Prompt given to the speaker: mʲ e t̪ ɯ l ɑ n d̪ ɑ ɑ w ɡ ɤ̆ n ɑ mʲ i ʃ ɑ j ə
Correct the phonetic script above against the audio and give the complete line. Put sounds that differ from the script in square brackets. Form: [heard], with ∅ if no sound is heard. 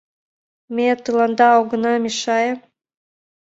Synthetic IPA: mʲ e t̪ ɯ l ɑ n d̪ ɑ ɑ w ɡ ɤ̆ n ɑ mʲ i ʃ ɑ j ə